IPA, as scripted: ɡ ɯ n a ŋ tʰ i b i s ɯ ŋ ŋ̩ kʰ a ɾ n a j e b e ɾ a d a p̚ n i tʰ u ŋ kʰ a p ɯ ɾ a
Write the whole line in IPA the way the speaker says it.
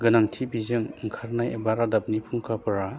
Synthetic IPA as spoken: ɡ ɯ n a ŋ tʰ i b i z ɯ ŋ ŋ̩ kʰ a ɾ n a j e b a ɾ a d a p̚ n i pʰ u ŋ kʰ a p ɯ ɾ a